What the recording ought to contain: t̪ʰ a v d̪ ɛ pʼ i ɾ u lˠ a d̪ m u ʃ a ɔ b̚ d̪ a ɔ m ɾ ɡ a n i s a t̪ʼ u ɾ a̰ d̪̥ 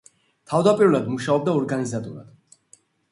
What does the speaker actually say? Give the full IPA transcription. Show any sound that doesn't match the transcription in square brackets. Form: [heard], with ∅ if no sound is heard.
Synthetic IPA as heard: t̪ʰ a v d̪ [a] pʼ i ɾ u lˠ a d̪ m u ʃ a ɔ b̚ d̪ a ɔ [∅] ɾ ɡ a n i [z] a t̪ʼ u ɾ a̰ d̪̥